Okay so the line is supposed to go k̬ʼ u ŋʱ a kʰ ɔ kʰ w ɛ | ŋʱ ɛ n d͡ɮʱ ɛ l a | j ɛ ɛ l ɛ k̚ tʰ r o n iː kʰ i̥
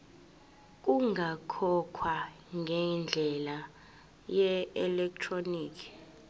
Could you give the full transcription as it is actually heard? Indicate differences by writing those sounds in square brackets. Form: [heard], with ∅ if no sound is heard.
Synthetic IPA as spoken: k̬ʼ u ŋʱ a kʰ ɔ kʰ w [a] | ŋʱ ɛ n d͡ɮʱ ɛ l a | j ɛ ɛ l ɛ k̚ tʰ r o n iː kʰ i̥